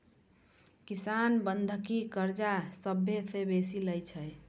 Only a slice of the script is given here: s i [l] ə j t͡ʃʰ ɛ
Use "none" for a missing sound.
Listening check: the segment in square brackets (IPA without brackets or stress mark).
l